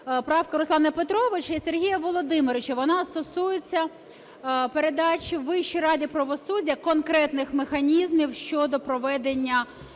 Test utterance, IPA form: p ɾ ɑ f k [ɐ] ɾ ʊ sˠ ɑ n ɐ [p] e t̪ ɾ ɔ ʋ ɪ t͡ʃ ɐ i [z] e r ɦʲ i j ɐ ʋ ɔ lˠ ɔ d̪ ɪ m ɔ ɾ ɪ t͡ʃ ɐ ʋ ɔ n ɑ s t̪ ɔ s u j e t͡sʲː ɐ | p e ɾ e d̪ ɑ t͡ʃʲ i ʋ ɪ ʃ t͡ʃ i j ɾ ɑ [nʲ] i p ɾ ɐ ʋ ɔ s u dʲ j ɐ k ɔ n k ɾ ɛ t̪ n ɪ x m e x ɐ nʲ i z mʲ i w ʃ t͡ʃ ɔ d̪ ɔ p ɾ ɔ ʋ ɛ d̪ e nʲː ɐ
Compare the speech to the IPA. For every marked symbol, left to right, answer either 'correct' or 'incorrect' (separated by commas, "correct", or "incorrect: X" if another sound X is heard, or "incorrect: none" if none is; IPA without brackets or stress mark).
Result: correct, correct, incorrect: s, incorrect: dʲ